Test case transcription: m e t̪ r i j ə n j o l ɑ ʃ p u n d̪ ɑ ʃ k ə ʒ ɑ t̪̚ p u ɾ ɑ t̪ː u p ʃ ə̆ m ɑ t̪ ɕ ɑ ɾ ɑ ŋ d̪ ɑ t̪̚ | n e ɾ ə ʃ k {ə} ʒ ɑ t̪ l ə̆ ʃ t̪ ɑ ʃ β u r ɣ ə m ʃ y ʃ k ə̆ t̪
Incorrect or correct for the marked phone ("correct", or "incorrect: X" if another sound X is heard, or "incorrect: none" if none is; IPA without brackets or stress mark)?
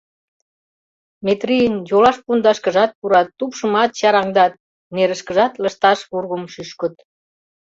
correct